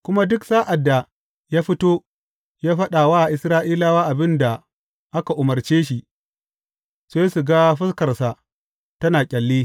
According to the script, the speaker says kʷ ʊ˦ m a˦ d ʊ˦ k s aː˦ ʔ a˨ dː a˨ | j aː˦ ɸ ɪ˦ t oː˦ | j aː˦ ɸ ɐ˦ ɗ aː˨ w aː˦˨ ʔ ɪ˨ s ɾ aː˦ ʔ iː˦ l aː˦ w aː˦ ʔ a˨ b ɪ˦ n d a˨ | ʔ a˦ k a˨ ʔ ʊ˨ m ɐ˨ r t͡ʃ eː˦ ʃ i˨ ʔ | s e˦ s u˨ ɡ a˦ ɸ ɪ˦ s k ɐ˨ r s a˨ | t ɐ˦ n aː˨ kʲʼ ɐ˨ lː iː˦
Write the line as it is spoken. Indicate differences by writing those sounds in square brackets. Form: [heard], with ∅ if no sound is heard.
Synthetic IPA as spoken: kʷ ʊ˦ m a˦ d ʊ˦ k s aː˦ ʔ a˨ dː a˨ | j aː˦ ɸ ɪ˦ t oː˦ | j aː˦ ɸ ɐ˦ ɗ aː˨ w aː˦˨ ʔ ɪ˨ s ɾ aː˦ ʔ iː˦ l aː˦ w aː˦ ʔ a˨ b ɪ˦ n d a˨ | ʔ a˦ k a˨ ʔ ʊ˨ m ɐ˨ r t͡ʃ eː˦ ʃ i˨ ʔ | s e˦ s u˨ ɡ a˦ ɸ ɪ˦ s k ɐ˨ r s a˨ | t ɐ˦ n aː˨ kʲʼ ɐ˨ lː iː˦